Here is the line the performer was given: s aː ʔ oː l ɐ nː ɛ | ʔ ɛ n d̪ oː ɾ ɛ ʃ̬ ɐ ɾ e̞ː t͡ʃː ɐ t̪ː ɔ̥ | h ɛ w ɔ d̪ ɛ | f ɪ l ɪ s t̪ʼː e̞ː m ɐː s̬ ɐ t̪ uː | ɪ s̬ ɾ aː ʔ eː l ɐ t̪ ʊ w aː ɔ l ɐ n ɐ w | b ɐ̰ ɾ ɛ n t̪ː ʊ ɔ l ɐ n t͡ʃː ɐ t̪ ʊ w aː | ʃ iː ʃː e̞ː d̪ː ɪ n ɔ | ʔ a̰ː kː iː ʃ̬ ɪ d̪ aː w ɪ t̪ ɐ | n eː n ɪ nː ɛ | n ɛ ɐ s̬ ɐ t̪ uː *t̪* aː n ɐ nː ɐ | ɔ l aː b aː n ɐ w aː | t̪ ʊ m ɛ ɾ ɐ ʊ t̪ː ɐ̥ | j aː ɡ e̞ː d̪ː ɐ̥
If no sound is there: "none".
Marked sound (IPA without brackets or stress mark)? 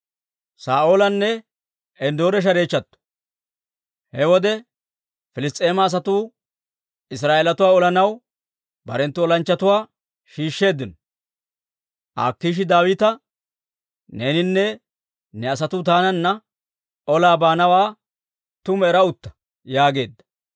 t̪